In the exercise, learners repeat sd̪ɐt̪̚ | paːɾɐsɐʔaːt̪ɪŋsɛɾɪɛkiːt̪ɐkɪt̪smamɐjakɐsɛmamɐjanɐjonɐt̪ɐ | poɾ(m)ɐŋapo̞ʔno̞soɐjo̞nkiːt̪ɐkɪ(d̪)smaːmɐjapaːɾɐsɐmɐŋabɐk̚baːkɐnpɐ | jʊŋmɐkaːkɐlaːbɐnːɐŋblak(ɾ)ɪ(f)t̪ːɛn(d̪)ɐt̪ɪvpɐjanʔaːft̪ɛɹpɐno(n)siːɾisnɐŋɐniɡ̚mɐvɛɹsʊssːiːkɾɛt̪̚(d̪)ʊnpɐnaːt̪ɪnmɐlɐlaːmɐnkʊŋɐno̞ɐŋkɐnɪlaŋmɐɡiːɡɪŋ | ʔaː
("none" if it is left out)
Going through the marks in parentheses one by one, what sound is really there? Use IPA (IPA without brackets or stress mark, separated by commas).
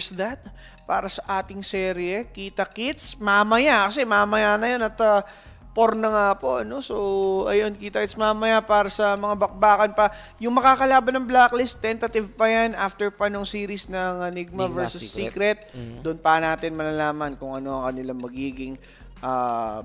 n, t̪, l, s, t̪, ŋ, d̪